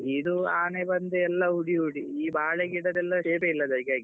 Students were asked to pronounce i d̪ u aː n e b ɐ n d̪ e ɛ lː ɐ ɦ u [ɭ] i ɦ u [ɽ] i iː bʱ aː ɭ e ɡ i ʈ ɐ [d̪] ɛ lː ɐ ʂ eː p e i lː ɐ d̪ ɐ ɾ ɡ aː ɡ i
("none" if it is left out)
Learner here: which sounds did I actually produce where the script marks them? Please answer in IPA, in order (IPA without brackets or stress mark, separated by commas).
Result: ɽ, ɽ, d̪